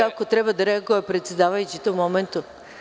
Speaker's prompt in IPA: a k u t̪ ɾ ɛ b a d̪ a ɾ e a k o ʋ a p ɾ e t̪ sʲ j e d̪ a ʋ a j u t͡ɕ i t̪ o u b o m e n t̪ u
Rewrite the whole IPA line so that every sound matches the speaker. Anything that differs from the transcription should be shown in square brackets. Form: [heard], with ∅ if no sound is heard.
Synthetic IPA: a k [o] t̪ ɾ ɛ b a d̪ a ɾ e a [ɡ] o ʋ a p ɾ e t̪ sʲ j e d̪ a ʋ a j u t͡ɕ i t̪ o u [m] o m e n t̪ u